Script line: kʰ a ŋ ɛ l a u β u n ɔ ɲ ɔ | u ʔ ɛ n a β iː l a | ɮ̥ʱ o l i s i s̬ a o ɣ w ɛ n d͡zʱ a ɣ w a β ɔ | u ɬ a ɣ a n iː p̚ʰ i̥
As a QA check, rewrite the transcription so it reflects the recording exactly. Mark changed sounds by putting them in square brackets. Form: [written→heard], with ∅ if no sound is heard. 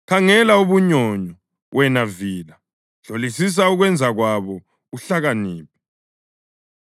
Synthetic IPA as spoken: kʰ a ŋ ɛ l a u β u [n→ɲ] ɔ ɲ ɔ | [u→w] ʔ ɛ n a [β→v] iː l a | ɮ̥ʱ o l i s i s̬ a [o→u] ɣ w ɛ n d͡zʱ a ɣ w a β ɔ | u ɬ a ɣ a n iː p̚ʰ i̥